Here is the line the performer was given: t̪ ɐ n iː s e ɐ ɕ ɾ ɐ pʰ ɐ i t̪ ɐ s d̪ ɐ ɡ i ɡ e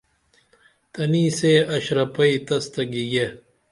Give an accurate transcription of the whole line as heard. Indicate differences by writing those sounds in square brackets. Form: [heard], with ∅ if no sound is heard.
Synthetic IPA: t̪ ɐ n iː s e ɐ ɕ ɾ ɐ [p] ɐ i t̪ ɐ s [t̪] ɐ ɡ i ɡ e